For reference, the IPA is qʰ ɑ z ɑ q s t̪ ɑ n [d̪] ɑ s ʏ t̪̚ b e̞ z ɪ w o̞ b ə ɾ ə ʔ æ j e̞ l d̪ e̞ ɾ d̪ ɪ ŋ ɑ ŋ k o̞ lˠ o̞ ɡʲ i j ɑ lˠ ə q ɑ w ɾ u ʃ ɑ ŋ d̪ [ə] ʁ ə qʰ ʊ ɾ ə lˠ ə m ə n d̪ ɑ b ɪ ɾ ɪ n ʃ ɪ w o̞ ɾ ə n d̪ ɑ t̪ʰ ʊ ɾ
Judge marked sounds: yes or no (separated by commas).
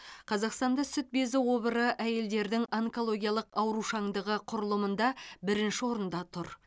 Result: yes, yes